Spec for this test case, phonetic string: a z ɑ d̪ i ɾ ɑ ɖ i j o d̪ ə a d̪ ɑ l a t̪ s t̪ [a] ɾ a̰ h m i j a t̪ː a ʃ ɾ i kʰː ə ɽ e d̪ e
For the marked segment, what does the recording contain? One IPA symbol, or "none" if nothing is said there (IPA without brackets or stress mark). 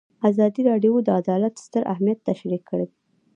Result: ə